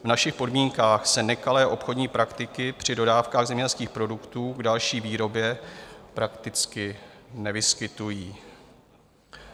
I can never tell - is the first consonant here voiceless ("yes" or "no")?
no